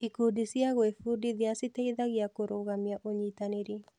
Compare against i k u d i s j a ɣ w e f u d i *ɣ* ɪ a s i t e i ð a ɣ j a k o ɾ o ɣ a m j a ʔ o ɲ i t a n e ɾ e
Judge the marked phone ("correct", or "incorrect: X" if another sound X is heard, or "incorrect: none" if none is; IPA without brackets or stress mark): incorrect: ð